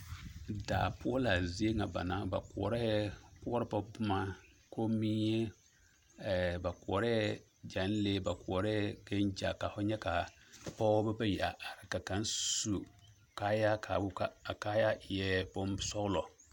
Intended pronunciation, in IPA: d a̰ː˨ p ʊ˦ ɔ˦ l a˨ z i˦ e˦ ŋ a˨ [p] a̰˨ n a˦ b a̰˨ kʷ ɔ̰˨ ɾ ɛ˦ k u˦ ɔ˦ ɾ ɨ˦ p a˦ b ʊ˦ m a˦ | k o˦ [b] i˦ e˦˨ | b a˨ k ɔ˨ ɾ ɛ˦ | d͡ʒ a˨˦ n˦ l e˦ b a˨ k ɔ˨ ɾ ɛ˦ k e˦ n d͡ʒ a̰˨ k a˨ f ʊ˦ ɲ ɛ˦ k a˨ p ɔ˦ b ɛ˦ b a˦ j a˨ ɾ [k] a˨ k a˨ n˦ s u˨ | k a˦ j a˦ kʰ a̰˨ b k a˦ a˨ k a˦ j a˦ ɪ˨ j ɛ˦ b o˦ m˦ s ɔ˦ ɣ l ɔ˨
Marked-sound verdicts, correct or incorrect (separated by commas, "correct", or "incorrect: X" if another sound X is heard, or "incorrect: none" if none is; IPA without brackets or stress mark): incorrect: b, incorrect: m, correct